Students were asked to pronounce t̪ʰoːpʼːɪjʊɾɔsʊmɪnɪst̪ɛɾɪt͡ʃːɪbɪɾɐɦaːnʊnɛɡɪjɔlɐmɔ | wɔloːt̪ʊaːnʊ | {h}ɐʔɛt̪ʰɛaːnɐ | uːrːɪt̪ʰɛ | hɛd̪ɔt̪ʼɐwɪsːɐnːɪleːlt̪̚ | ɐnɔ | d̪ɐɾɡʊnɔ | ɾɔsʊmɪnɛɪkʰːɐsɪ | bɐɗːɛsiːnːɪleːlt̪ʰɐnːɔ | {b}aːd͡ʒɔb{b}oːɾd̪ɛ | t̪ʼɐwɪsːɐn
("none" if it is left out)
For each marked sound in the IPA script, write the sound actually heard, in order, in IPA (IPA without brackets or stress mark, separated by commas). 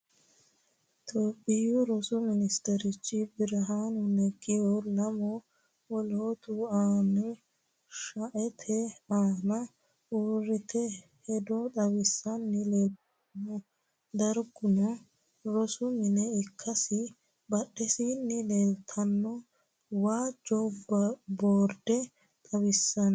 ʃ, w, b